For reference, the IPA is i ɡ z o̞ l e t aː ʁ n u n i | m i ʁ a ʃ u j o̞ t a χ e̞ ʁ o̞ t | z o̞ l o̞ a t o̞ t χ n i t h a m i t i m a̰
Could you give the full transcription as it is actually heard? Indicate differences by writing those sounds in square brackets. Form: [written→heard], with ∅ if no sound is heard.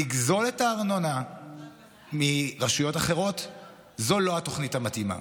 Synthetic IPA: i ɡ z o̞ l e t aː ʁ n [u→o] n [i→a] | m i ʁ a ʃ u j o̞ t a χ e̞ ʁ o̞ t | z o̞ l o̞ a t o̞ [t→∅] χ n i t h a m [i→a] t i m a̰